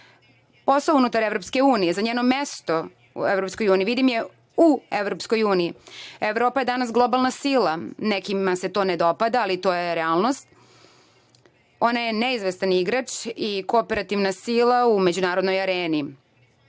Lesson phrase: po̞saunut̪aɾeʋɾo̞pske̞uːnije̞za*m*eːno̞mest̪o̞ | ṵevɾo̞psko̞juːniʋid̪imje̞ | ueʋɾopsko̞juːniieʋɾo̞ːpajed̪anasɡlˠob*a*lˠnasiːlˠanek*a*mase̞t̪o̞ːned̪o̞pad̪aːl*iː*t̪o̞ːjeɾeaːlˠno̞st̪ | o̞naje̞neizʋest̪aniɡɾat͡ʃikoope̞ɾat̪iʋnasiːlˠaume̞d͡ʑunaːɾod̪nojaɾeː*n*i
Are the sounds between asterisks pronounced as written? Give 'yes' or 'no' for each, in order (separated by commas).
no, yes, no, no, yes